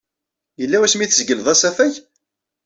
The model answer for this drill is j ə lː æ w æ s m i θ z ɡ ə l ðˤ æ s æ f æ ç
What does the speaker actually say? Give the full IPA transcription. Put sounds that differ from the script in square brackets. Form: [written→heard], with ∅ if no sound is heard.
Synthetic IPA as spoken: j ə lː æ w æ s m i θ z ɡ ə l ðˤ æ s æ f æ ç